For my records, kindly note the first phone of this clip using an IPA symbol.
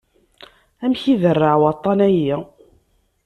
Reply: æ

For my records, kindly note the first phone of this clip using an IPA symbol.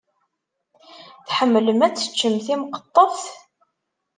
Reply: θ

